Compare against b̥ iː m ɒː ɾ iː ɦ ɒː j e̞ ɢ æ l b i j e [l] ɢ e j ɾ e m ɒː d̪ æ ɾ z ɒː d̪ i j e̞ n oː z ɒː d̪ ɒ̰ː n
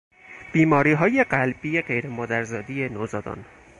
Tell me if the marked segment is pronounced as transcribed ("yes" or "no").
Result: no